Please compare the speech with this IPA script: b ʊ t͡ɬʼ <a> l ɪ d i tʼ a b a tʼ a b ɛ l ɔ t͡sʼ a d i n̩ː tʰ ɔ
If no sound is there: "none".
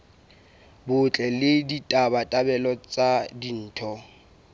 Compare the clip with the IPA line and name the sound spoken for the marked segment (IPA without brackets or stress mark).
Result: ɛ